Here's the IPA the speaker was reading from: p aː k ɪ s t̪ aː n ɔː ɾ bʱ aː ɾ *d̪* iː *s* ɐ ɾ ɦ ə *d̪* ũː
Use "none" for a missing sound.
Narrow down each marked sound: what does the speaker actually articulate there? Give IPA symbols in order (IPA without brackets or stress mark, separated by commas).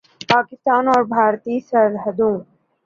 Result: t̪, s, d̪